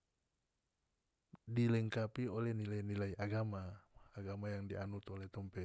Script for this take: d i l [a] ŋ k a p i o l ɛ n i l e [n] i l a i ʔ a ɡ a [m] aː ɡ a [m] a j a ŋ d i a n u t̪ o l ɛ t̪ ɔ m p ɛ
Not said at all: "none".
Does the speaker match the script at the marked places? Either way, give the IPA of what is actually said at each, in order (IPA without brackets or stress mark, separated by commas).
ɛ, n, m, m